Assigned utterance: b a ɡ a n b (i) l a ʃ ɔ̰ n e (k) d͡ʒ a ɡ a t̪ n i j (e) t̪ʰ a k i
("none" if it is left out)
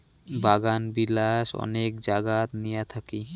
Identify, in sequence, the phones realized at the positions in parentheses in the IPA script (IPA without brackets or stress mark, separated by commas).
i, k, a